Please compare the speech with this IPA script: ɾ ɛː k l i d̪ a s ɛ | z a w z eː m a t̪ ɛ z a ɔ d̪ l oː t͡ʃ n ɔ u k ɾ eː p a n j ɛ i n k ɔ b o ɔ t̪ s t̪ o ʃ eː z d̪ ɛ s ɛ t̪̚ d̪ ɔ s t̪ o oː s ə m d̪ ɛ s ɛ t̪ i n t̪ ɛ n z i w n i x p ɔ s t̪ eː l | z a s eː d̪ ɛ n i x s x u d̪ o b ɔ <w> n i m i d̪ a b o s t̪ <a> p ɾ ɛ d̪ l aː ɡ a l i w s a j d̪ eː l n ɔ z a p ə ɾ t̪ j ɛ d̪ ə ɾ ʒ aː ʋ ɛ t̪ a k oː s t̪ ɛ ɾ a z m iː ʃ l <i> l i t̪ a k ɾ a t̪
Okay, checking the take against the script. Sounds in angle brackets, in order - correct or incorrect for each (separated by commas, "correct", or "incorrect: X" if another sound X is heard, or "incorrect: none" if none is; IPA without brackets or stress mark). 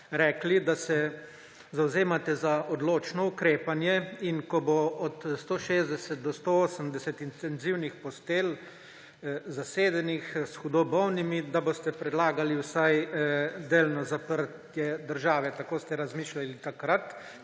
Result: correct, incorrect: ɛ, incorrect: a